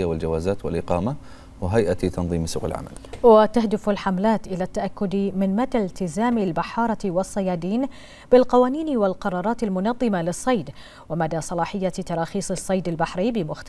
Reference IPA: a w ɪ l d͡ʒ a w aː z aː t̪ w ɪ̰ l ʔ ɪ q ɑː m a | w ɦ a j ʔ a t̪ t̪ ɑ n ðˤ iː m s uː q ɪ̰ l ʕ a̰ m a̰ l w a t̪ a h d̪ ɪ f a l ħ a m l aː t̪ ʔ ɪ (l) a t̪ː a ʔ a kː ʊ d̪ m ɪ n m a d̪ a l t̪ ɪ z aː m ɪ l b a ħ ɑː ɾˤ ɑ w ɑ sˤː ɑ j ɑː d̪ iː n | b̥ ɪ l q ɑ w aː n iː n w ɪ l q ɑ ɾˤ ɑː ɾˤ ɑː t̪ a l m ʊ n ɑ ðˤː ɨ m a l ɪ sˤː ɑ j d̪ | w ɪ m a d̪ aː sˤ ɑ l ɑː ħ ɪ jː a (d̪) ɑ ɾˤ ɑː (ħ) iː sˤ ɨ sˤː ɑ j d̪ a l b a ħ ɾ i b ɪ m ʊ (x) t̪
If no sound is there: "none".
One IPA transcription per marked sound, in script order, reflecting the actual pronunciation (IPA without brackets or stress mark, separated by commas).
l, t̪, x, x